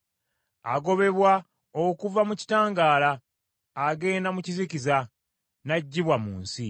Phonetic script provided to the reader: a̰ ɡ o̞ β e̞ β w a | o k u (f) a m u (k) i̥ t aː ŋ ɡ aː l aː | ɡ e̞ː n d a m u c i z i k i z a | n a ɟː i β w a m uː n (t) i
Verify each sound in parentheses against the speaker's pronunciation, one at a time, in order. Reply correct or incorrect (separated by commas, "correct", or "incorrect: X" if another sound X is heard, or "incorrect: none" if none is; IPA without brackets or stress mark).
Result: incorrect: v, incorrect: c, incorrect: s